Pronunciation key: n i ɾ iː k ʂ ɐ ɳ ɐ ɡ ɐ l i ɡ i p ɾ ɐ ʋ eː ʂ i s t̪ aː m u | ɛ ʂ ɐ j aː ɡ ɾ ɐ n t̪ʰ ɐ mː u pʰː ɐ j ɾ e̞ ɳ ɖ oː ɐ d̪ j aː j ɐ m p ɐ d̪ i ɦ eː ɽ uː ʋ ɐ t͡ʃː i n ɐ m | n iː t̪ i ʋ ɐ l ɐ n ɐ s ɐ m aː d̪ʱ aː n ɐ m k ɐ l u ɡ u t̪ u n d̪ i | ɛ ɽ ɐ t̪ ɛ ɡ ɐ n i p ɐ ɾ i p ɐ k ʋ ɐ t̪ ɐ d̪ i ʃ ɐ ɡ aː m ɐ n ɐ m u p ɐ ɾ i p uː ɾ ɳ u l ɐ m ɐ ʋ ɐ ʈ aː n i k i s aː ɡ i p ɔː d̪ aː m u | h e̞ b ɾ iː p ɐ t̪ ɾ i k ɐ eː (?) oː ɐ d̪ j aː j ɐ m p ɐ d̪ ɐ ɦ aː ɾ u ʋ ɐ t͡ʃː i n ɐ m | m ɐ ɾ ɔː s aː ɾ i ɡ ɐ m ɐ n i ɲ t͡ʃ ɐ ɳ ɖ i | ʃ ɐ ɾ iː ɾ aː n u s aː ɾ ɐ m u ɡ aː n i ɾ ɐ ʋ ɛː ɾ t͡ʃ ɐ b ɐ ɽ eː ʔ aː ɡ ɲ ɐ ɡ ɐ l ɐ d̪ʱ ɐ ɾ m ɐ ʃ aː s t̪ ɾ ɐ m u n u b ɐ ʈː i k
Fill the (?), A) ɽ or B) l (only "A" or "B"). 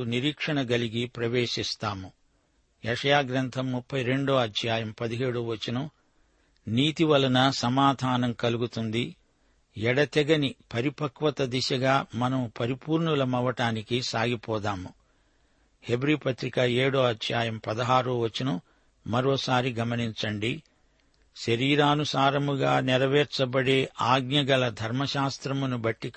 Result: A